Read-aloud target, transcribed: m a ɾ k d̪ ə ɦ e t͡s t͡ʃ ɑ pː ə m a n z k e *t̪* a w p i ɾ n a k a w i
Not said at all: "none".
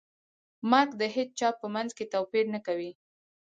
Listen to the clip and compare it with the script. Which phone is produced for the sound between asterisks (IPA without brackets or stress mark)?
t̪